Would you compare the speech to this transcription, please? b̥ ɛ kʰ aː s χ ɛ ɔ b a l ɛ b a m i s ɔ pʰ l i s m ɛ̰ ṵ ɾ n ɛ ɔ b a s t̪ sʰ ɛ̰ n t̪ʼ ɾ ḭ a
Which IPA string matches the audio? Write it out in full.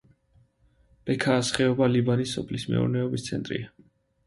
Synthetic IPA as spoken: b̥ ɛ kʰ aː s χ ɛ ɔ b a l i b a n i s ɔ pʰ l i s m ɛ̰ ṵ ɾ n ɛ ɔ b i s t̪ sʰ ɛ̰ n t̪ʼ ɾ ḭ a